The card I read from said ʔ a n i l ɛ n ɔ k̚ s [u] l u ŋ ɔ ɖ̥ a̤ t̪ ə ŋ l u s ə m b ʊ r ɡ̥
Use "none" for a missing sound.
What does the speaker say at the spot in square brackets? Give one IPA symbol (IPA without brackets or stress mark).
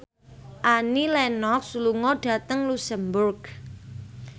u